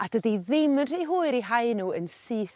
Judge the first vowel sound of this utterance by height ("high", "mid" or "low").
low